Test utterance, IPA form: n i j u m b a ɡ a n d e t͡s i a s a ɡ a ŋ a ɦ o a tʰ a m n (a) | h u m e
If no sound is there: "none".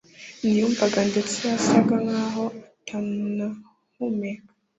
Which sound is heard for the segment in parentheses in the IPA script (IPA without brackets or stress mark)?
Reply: a